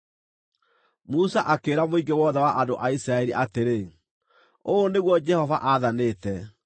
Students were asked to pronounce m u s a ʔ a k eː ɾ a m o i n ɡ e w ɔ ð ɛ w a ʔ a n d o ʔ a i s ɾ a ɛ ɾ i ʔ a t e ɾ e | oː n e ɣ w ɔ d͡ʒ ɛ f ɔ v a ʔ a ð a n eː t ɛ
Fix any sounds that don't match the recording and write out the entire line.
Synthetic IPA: m u s a ʔ a k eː ɾ a m o i ɡ e w ɔ ð ɛ w a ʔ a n d o ʔ a i s ɾ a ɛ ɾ i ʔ a t e ɾ e | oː n e ɣ w ɔ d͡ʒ ɛ h ɔ v a ʔ a ð a n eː t ɛ

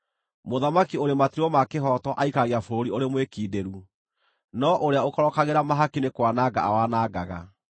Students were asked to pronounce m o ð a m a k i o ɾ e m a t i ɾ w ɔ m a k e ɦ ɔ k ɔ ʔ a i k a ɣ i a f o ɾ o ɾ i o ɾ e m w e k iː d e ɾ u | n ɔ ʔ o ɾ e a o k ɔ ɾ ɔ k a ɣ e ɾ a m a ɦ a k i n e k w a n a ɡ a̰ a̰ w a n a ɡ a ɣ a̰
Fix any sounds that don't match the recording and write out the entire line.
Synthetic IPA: m o ð a m a k i o ɾ e m a t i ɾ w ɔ m a k e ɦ ɔ t ɔ ʔ a i k a ɣ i a f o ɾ o ɾ i o ɾ e m w e k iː d e ɾ u | n ɔ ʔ o ɾ e a o k ɔ ɾ ɔ k a ɣ e ɾ a m a ɦ a k i n e k w a n a ɡ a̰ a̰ w a n a ɡ a ɣ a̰

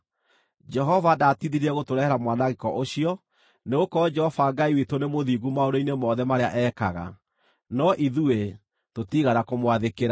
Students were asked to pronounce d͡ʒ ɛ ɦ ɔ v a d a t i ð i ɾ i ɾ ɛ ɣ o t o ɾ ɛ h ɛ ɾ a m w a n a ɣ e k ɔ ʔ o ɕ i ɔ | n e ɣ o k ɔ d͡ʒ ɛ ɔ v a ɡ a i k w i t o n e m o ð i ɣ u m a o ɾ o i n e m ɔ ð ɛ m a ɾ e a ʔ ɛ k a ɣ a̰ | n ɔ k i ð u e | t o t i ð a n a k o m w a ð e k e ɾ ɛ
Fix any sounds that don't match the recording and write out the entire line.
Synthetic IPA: d͡ʒ ɛ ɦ ɔ v a d a t i ð i ɾ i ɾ ɛ ɣ o t o ɾ ɛ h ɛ ɾ a m w a n a ɣ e k ɔ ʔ o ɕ i ɔ | n e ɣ o k ɔ d͡ʒ ɛ ɔ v a ɡ a i w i t o n e m o ð i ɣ u m a o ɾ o i n e m ɔ ð ɛ m a ɾ e a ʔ ɛ k a ɣ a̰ | n ɔ ʔ i ð u e | t o t i ɣ a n a k o m w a ð e k e ɾ a

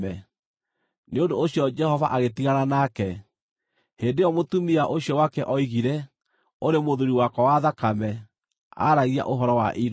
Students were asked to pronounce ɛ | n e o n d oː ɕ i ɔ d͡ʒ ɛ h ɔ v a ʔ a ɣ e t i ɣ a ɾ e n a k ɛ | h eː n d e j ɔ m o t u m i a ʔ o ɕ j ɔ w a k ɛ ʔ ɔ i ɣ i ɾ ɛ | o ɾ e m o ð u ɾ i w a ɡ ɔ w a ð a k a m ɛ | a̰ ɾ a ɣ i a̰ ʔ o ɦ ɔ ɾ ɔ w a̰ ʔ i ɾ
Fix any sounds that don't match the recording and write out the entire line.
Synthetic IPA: ɛ | n e o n d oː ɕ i ɔ d͡ʒ ɛ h ɔ v a ʔ a ɣ e t i ɣ a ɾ a n a k ɛ | h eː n d e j ɔ m o t u m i a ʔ o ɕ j ɔ w a k ɛ ʔ ɔ i ɣ i ɾ ɛ | o ɾ e m o ð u ɾ i w a k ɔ w a ð a k a m ɛ | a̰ ɾ a ɣ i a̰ ʔ o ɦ ɔ ɾ ɔ w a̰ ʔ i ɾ

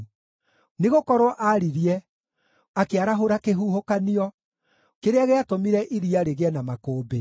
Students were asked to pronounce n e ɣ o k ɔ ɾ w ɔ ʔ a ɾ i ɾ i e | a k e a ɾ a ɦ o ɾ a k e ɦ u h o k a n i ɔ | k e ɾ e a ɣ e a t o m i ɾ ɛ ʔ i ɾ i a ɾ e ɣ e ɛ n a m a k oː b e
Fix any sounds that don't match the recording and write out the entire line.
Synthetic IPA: n e ɣ o k ɔ ɾ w ɔ ʔ a ɾ i ɾ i ɛ | a k e a ɾ a ɦ o ɾ a k e ɦ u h o k a n i ɔ | k e ɾ e a ɣ e a t o m i ɾ ɛ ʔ i ɾ i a ɾ e ɣ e ɛ n a m a k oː b e

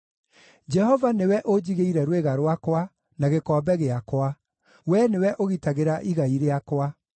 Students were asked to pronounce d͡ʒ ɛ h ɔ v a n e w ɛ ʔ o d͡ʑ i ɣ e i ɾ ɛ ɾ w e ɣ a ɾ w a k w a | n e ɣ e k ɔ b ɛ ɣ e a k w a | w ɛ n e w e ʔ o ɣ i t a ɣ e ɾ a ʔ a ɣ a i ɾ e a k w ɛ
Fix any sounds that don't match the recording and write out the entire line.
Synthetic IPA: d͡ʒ ɛ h ɔ v a n e w ɛ ʔ o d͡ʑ i ɣ e i ɾ ɛ ɾ w e ɣ a ɾ w a k w a | n a ɣ e k ɔ b ɛ ɣ e a k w a | w ɛ n e w ɛ ʔ o ɣ i t a ɣ e ɾ a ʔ i ɣ a i ɾ e a k w a

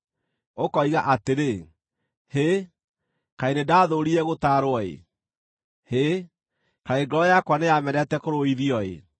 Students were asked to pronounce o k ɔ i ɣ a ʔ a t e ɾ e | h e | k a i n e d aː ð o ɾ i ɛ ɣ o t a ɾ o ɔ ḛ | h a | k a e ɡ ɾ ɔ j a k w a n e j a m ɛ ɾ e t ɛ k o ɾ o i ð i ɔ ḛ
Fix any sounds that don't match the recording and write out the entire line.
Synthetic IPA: o k ɔ i ɣ a ʔ a t e ɾ e | h e | k a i n e d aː ð o ɾ i ɛ ɣ o t a ɾ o ɔ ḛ | h e | k a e ɡ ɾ ɔ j a k w a n e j a m ɛ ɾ ɛ t ɛ k o ɾ o i ð i ɔ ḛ

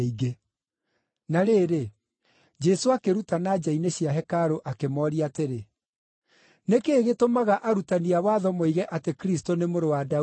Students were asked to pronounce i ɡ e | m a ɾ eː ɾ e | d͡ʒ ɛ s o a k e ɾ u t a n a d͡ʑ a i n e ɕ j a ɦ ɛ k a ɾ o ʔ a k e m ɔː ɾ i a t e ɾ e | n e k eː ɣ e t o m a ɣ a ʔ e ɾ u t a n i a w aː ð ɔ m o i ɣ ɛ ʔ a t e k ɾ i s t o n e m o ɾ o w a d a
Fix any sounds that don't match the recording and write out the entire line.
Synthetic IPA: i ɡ e | n a ɾ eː ɾ e | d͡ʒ ɛ s o a k e ɾ u t a n a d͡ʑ a i n e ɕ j a ɦ ɛ k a ɾ o ʔ a k e m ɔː ɾ i a t e ɾ e | n e k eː ɣ e t o m a ɣ a ʔ a ɾ u t a n i a w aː ð ɔ m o i ɣ ɛ ʔ a t e k ɾ i s t o n e m o ɾ o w a d a

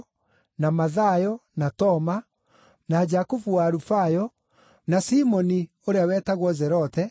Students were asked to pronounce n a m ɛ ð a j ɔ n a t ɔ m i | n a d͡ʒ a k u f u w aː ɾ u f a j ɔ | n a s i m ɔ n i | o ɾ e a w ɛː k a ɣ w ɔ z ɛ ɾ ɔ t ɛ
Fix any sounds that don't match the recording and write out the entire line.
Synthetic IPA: n a m a ð a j ɔ n a t ɔ m a | n a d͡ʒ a k u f u w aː ɾ u f a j ɔ | n a s i m ɔ n i | o ɾ e a w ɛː t a ɣ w ɔ z ɛ ɾ ɔ t ɛ

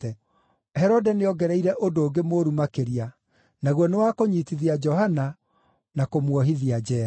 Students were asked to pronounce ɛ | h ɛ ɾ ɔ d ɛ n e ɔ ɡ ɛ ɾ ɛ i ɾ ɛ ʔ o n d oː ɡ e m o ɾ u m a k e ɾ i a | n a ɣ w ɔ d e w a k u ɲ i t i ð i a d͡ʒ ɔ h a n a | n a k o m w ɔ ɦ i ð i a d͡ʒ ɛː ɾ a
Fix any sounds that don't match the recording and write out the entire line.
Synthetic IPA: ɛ | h ɛ ɾ ɔ d ɛ n e ɔ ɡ ɛ ɾ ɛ i ɾ ɛ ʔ o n d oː ɡ e m o ɾ u m a k e ɾ i a | n a ɣ w ɔ n e w a k o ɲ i t i ð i a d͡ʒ ɔ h a n a | n a k o m w ɔ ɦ i ð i a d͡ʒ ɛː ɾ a

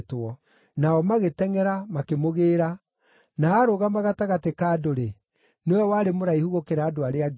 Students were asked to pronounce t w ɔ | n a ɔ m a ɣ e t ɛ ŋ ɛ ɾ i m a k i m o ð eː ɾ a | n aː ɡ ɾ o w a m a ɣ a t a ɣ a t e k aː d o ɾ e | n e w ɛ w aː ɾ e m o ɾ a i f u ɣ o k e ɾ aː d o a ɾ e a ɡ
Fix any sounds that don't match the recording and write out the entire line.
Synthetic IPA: t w ɔ | n a ɔ m a ɣ e t ɛ ŋ ɛ ɾ a m a k e m o ɣ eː ɾ a | n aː ɾ o ɣ a m a ɣ a t a ɣ a t e k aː d o ɾ e | n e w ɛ w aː ɾ e m o ɾ a i h u ɣ o k e ɾ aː d o a ɾ e a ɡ

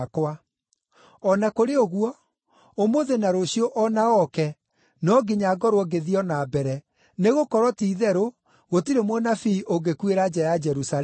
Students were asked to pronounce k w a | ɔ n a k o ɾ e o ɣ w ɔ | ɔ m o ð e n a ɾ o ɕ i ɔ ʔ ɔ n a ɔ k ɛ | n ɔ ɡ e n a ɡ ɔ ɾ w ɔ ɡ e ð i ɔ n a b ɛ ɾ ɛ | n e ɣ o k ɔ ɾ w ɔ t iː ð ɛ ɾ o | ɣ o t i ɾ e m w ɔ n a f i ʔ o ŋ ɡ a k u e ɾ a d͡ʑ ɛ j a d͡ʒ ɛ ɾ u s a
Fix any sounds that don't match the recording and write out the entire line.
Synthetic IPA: k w a | ɔ n a k o ɾ e o ɣ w ɔ | o m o ð e n a ɾ o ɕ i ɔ ʔ ɔ n a ɔ k ɛ | n ɔ ɡ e ɲ a ɡ ɔ ɾ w ɔ ɡ e ð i ɔ n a b ɛ ɾ ɛ | n e ɣ o k ɔ ɾ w ɔ t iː ð ɛ ɾ o | ɣ o t i ɾ e m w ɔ n a f i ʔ o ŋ ɡ e k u e ɾ a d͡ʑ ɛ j a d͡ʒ ɛ ɾ u s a

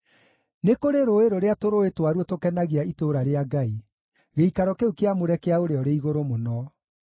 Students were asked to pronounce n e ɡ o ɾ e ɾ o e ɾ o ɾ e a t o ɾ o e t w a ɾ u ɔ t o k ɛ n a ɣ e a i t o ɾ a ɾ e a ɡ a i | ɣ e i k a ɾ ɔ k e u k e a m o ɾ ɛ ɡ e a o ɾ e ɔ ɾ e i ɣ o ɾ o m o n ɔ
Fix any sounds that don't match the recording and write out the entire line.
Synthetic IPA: n e k o ɾ e ɾ o e ɾ o ɾ e a t o ɾ o e t w a ɾ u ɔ t o k ɛ n a ɣ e a i t o ɾ a ɾ e a ɡ a i | ɣ e i k a ɾ ɔ k e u k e a m o ɾ ɛ k e a o ɾ e ɔ ɾ e i ɣ o ɾ o m o n ɔ

